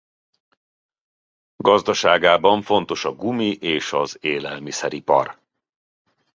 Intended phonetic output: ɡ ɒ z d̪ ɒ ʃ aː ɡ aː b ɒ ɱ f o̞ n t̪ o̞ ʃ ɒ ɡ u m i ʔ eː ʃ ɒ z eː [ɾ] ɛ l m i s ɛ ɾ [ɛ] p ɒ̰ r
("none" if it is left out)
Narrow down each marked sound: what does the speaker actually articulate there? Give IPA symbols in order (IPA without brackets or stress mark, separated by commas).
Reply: l, i